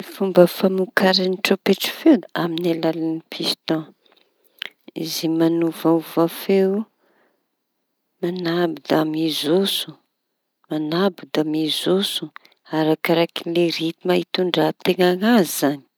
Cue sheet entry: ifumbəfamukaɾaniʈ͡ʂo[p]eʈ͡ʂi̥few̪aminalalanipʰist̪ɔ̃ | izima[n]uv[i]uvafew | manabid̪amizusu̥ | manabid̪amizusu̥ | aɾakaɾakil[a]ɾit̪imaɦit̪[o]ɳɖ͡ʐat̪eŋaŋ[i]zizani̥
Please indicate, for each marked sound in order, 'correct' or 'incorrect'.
correct, correct, incorrect, incorrect, incorrect, incorrect

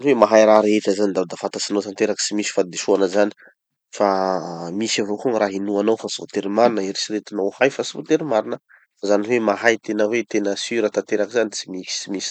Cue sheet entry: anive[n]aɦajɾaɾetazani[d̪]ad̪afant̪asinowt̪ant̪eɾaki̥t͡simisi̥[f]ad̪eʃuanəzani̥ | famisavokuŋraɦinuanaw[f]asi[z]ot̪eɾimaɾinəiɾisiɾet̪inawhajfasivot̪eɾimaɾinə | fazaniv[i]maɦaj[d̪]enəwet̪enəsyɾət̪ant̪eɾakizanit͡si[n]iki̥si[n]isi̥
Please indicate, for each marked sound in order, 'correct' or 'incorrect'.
incorrect, correct, correct, correct, incorrect, incorrect, incorrect, incorrect, incorrect

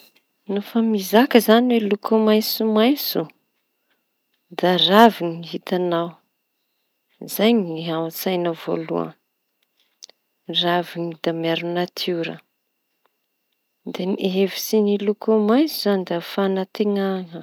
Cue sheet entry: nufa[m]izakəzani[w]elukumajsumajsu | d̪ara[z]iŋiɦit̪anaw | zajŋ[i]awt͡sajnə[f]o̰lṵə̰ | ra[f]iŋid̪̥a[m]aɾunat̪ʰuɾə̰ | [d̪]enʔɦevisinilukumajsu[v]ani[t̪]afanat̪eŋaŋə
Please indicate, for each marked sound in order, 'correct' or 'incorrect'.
correct, correct, incorrect, correct, incorrect, incorrect, correct, correct, incorrect, incorrect

